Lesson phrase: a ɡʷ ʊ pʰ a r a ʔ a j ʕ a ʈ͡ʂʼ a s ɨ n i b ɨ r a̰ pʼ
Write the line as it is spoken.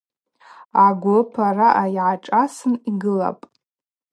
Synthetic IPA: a ɡʷ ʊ pʰ a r a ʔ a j ʕ a ʈ͡ʂʼ a s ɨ n i ɡ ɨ l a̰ pʼ